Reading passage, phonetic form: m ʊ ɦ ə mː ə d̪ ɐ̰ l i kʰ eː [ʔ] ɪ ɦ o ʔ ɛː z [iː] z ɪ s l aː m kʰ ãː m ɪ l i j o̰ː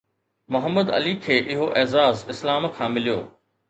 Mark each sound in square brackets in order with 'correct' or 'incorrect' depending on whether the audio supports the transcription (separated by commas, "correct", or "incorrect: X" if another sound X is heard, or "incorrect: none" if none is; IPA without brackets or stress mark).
correct, incorrect: aː